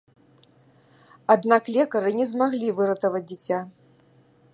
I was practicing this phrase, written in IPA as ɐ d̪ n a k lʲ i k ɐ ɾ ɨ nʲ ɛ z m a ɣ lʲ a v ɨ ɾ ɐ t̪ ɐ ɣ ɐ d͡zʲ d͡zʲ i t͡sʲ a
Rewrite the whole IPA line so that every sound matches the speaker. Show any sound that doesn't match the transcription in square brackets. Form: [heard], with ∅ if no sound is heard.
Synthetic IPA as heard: [a] d̪ n a k lʲ [ɛ] k ɐ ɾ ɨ nʲ ɛ z m a ɣ lʲ [i] v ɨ ɾ ɐ t̪ ɐ [v] ɐ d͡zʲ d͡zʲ i t͡sʲ a